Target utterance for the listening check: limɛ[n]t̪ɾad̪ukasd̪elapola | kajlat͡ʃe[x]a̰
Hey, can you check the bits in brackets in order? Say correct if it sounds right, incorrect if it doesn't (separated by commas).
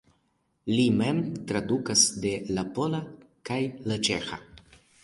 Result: incorrect, correct